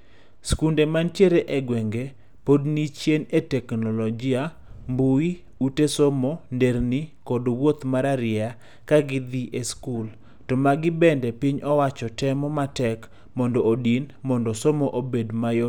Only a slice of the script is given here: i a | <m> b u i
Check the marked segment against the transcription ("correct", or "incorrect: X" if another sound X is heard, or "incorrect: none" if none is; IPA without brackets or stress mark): correct